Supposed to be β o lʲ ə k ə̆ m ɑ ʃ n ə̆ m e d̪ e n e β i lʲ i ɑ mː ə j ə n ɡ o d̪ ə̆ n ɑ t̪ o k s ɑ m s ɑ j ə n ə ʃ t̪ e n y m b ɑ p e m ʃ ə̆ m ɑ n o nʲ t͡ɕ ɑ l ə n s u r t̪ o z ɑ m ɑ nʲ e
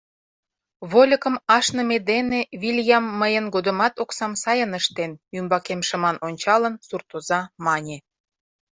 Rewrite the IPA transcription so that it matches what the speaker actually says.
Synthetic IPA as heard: β o lʲ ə k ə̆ m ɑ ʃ n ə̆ m e d̪ e n e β i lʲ j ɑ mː ə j ə n ɡ o d̪ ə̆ m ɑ t̪ o k s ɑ m s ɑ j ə n ə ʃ t̪ e n y m b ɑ k e m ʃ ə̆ m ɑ n o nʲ t͡ɕ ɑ l ə n s u r t̪ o z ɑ m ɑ nʲ e